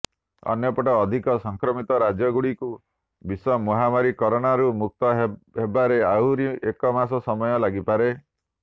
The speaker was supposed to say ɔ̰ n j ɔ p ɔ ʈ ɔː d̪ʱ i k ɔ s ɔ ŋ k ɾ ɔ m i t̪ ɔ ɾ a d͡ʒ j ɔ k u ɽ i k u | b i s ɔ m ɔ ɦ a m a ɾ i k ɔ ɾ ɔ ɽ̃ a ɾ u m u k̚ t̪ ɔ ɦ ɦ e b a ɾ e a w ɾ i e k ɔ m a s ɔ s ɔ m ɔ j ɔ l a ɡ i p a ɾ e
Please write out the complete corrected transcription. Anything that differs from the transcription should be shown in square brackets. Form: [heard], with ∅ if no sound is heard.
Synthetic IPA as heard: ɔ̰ n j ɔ p ɔ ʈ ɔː d̪ʱ i k ɔ s ɔ ŋ k ɾ ɔ m i t̪ ɔ ɾ a d͡ʒ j ɔ [ɡ] u ɽ i k u | b i s ɔ m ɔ ɦ a m a ɾ i k ɔ ɾ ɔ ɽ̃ a ɾ u m u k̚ t̪ ɔ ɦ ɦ e b a ɾ e a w ɾ i e k ɔ m a s ɔ s ɔ m ɔ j ɔ l a ɡ i p a ɾ e

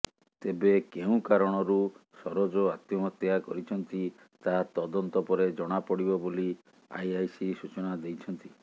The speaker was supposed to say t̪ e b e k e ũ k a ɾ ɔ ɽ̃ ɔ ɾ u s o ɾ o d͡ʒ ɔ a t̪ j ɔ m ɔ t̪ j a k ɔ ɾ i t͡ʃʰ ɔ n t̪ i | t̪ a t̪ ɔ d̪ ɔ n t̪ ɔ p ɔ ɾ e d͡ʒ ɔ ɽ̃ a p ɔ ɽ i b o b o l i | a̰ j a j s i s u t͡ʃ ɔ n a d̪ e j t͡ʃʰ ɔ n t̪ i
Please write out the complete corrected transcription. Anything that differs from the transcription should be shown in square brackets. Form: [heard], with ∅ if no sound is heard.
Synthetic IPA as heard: t̪ e b e k e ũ k a ɾ ɔ ɽ̃ ɔ ɾ u s [ɔ] ɾ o d͡ʒ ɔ a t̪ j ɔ m ɔ t̪ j a k ɔ ɾ i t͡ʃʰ ɔ n t̪ i | t̪ a t̪ ɔ d̪ ɔ n t̪ ɔ p ɔ ɾ e d͡ʒ ɔ ɽ̃ a p ɔ ɽ i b [ɔ] b o l i | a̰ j a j s i s u t͡ʃ ɔ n a d̪ e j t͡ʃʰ ɔ n t̪ i

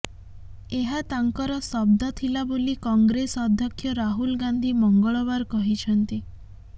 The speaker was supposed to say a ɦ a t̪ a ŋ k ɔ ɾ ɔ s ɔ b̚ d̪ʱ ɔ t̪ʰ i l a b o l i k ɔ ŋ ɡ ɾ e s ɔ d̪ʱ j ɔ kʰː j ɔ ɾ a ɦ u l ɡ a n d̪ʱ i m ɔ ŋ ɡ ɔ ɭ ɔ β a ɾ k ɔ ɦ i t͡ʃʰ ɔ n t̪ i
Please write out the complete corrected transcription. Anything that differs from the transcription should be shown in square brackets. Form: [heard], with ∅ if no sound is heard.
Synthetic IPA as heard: [e] ɦ a t̪ a ŋ k ɔ ɾ ɔ s ɔ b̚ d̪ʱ ɔ t̪ʰ i l a b o l i k ɔ ŋ ɡ ɾ e s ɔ d̪ʱ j ɔ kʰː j ɔ ɾ a ɦ u l ɡ a n d̪ʱ i m ɔ ŋ ɡ ɔ ɭ ɔ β a ɾ k ɔ ɦ i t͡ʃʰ ɔ n t̪ i

